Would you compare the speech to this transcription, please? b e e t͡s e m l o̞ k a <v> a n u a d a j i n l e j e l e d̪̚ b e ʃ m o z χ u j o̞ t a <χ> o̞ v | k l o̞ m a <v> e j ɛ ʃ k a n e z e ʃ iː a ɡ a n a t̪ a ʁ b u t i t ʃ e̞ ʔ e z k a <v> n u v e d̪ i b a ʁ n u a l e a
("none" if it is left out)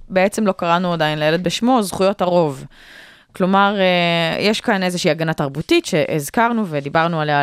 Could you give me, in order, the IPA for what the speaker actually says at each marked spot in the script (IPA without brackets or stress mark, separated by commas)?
ʁ, ʁ, ʁ, ʁ